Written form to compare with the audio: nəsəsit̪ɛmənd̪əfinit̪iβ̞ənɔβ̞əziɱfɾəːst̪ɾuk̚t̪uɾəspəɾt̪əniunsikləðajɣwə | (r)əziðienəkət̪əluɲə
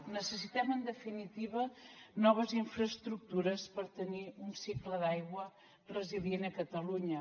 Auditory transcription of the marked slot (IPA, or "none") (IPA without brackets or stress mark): r